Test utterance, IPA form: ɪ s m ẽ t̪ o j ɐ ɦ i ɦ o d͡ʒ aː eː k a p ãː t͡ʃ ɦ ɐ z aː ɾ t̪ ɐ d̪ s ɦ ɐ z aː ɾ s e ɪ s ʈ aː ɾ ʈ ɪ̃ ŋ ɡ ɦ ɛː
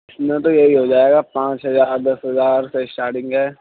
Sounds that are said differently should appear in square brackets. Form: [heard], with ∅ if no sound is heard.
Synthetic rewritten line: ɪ s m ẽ t̪ o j ɐ ɦ i ɦ o d͡ʒ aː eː [ɡ] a p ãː t͡ʃ ɦ ɐ z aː ɾ [d̪] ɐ [∅] s ɦ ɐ z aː ɾ s e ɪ s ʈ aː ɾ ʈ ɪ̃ ŋ ɡ ɦ ɛː